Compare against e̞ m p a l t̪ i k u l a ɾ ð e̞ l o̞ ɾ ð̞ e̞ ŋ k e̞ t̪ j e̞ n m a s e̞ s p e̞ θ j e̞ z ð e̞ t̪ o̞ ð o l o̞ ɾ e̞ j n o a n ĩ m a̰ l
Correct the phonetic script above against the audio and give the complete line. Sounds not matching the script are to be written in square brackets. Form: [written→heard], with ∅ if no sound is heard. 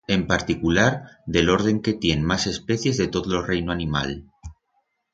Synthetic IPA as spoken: e̞ m p a [l→ɾ] t̪ i k u l a ɾ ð e̞ l o̞ ɾ ð̞ e̞ ŋ k e̞ t̪ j e̞ n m a s e̞ s p e̞ θ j e̞ z ð e̞ t̪ o̞ ð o l o̞ [ɾ→r] e̞ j n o a n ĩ m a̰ l